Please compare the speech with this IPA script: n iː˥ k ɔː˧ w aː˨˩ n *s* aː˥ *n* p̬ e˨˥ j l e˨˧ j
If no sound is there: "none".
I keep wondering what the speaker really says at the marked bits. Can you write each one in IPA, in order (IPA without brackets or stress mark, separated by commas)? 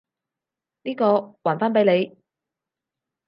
f, n